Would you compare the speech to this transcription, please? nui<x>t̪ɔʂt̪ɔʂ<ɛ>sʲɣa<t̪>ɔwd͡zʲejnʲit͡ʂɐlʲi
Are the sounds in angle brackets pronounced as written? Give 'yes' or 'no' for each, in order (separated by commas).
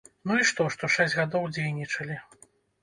no, yes, no